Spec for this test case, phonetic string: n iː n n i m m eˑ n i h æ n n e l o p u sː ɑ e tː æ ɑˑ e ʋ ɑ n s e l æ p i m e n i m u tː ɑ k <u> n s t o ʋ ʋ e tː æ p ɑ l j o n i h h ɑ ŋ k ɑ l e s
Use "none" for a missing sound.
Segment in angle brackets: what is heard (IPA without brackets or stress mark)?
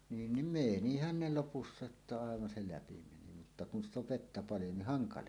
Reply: u